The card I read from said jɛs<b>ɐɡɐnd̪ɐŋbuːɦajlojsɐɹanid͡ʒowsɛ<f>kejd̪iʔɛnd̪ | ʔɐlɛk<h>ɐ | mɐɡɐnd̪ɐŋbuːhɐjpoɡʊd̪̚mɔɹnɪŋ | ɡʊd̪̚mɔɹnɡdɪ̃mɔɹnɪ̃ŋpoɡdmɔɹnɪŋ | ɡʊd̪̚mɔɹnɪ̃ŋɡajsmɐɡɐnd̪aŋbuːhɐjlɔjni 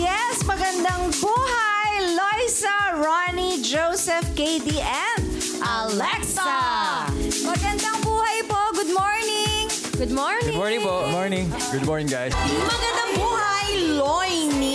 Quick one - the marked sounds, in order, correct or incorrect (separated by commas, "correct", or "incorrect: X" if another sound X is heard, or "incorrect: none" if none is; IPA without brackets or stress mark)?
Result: incorrect: m, correct, incorrect: s